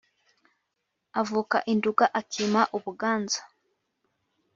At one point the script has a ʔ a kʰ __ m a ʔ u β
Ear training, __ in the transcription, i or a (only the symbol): i